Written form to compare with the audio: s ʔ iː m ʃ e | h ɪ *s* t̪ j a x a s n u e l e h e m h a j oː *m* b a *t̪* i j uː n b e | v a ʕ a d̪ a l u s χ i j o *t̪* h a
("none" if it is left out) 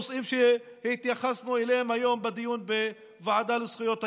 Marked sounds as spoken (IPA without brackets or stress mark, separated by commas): none, m, d̪, t̪